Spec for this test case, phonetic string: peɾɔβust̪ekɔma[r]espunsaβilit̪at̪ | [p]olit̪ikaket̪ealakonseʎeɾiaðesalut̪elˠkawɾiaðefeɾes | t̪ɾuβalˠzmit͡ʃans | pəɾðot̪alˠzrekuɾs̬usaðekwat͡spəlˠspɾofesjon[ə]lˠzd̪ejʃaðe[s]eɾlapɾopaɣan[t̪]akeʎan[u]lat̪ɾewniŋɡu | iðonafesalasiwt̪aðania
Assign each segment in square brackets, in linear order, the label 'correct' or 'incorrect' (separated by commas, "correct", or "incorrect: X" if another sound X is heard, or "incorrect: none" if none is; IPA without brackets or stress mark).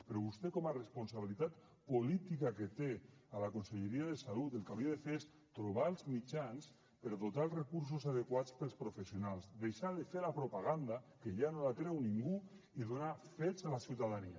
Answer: correct, correct, incorrect: a, incorrect: f, incorrect: d̪, incorrect: o